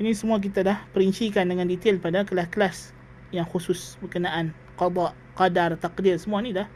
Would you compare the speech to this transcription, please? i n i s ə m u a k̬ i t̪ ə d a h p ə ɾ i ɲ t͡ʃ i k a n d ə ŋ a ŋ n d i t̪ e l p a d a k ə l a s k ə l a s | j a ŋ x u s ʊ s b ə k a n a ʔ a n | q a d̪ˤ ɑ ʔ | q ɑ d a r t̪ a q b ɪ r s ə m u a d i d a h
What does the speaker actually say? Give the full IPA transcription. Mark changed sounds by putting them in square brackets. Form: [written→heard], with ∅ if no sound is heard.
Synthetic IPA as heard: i n i s ə m u a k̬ i t̪ [ə→a] d a h p ə ɾ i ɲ t͡ʃ i k a n d ə ŋ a [ŋ→∅] n d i t̪ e l p a d a k ə l a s k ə l a s | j a ŋ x u s ʊ s b ə k [a→ə] n a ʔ a n | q [a→ɑ] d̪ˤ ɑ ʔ | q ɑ d a r t̪ a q [b→d] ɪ r s ə m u a [d→n] i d a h